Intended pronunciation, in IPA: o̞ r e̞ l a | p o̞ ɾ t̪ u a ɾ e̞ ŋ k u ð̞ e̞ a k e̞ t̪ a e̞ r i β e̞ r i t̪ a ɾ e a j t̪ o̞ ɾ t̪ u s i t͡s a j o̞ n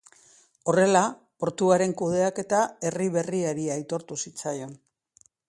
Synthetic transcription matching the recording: o̞ r e̞ l a | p o̞ ɾ t̪ u a ɾ e̞ ŋ k u ð̞ e̞ a k e̞ t̪ a e̞ r i β e̞ r i a ɾ i a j t̪ o̞ ɾ t̪ u s i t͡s a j o̞ n